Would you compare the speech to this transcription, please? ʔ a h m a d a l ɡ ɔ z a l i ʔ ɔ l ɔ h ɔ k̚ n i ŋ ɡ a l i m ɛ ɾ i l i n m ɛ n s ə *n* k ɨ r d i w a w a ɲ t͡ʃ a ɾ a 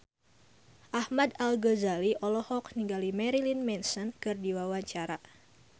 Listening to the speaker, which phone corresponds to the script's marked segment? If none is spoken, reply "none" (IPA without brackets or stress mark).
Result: n